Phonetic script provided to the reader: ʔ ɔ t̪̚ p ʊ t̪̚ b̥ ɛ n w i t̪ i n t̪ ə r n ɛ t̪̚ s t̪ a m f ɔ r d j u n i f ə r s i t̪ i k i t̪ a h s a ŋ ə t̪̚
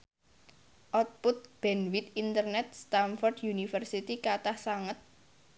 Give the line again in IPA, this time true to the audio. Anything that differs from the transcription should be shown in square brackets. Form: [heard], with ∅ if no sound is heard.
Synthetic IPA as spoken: ʔ ɔ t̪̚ p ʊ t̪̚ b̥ ɛ n w i t̪ i n t̪ ə r n ɛ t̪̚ s t̪ a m f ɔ r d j u n i f ə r s i t̪ i k [a] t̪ a h s a ŋ ə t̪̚